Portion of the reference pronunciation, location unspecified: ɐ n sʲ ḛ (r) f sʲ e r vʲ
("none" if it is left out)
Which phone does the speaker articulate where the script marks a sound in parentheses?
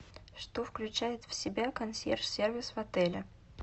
r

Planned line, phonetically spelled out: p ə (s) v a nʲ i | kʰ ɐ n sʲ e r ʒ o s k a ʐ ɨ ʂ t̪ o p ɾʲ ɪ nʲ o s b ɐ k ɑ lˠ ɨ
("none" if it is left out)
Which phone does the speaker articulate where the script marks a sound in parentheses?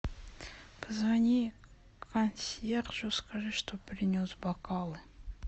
z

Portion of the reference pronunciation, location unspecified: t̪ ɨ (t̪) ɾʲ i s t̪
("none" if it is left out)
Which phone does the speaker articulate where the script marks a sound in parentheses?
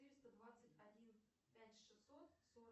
none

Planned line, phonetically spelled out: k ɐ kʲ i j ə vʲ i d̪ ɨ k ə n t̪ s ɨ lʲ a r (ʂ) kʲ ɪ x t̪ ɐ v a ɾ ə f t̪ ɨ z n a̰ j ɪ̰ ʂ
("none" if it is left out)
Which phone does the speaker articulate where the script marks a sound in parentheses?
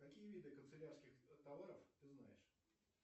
s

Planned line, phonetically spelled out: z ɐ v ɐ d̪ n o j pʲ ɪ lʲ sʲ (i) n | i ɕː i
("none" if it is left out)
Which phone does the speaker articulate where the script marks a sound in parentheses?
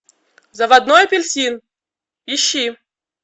i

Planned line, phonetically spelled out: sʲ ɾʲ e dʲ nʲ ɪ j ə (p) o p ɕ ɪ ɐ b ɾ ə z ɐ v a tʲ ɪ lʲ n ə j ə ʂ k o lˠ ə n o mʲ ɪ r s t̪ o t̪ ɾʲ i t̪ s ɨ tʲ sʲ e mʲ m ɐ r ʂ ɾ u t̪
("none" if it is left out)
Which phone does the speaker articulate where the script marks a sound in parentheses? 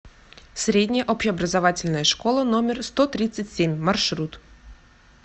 ʔ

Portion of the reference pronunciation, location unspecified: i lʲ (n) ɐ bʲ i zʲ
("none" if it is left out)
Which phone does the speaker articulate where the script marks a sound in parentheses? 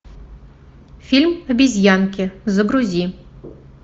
m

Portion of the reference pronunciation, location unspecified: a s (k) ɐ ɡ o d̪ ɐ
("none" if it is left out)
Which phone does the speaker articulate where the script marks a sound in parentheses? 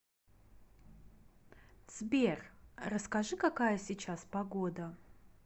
p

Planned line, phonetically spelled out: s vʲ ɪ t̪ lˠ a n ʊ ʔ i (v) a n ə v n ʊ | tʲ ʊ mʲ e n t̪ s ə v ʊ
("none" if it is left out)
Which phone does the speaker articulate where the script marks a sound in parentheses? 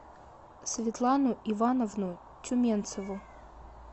v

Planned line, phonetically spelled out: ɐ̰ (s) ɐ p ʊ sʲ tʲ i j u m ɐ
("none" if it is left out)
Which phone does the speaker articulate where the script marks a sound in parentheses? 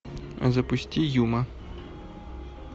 z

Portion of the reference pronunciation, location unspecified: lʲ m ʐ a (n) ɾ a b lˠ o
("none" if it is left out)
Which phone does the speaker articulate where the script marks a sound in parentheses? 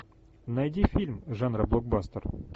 n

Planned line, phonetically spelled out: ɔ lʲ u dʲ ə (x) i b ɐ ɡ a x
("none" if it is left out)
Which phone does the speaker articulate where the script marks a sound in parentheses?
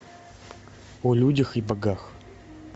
x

